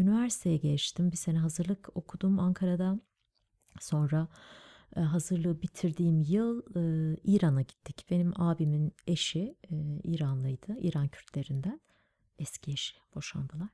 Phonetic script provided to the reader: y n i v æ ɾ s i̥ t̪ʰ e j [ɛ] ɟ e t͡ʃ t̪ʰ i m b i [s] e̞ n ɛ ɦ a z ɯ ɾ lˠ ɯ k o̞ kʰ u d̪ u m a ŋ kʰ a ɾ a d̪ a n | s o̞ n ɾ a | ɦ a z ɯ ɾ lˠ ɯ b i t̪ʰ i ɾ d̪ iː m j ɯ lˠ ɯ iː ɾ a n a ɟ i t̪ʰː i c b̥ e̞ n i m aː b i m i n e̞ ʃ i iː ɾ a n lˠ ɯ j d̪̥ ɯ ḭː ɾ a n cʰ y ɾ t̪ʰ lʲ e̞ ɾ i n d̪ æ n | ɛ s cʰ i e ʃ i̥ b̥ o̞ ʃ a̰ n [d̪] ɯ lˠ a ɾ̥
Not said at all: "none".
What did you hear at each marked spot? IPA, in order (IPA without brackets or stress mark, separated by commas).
ɛ, s, d̪